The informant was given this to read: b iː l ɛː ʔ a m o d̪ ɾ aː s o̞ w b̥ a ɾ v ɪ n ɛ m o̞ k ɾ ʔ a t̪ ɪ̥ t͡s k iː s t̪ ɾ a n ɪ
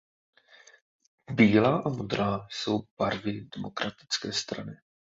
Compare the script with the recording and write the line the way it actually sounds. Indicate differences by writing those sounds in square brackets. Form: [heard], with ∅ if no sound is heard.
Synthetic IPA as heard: b iː l [aː] ʔ a m o d̪ ɾ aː s o̞ w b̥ a ɾ v ɪ [d] ɛ m o̞ k ɾ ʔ a t̪ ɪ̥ t͡s k [ɛː] s t̪ ɾ a n ɪ